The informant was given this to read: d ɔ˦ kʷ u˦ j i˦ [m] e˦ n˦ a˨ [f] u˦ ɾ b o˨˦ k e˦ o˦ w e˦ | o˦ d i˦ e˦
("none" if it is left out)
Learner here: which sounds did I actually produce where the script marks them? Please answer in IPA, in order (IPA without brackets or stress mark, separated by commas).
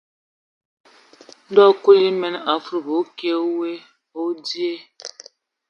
m, f